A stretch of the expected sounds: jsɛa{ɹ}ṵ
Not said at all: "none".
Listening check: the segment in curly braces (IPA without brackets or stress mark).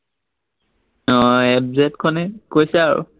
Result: ɹ